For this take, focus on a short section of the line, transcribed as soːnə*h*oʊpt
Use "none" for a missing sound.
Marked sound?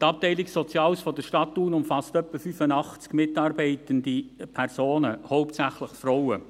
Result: h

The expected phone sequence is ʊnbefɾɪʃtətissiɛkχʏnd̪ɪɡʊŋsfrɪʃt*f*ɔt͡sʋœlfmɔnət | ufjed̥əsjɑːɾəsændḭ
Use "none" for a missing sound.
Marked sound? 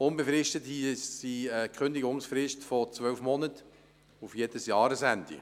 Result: f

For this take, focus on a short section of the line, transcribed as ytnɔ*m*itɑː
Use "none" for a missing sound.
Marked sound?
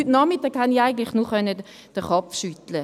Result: m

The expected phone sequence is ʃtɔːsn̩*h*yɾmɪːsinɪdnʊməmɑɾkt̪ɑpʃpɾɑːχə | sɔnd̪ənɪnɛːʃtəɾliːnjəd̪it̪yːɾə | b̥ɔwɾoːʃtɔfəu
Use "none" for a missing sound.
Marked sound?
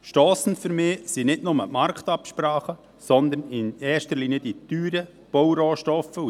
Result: f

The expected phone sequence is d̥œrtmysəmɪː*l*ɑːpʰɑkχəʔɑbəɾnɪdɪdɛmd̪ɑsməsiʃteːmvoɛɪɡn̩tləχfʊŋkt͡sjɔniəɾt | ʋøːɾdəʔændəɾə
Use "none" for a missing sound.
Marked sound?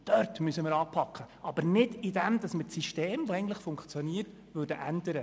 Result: ɾ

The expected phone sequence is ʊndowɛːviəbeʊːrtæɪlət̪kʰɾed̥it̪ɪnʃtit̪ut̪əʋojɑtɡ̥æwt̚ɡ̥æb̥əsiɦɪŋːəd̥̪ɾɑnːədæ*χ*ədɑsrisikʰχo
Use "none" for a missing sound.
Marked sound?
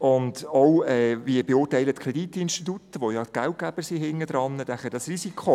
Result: χ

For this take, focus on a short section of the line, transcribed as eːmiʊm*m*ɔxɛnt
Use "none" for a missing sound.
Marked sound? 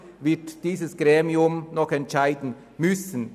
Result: n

